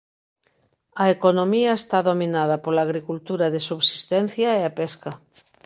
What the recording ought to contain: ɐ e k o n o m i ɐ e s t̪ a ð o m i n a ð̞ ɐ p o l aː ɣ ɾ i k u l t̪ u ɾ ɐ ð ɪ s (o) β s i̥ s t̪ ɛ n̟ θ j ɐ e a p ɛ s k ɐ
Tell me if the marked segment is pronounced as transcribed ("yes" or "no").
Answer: no